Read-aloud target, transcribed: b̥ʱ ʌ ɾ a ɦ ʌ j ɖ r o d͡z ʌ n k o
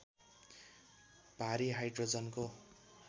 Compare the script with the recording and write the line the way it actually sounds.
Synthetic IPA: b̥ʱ a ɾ i ɦ a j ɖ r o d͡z ʌ n k o